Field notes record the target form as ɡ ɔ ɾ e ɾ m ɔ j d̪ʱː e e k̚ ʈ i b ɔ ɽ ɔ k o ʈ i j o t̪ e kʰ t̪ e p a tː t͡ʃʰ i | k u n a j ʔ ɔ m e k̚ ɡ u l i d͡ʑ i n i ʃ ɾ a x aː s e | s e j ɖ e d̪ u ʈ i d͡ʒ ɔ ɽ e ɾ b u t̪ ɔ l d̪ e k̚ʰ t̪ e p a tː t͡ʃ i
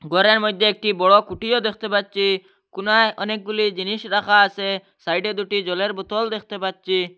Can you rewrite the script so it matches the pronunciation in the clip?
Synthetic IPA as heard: ɡ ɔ ɾ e ɾ m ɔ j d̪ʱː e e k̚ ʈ i b ɔ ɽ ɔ k u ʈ i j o d̪ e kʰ t̪ e p a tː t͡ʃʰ i | k u n a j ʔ ɔ n e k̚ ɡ u l i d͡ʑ i n i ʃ ɾ a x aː s e | s a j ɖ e d̪ u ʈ i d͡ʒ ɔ l e ɾ b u t̪ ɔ l d̪ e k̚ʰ t̪ e p a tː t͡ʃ i